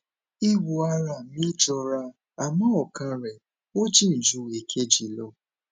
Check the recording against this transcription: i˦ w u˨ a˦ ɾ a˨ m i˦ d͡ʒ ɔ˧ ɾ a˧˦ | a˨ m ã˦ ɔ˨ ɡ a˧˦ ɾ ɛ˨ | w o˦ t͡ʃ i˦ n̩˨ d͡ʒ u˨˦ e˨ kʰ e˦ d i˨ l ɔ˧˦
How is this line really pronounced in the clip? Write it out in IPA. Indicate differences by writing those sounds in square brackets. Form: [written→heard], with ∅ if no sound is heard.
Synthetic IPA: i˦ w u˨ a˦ ɾ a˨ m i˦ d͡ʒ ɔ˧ ɾ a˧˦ | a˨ m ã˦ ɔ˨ [ɡ→k] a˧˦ ɾ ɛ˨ | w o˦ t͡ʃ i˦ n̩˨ d͡ʒ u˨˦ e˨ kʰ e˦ [d→d͡ʒ] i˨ l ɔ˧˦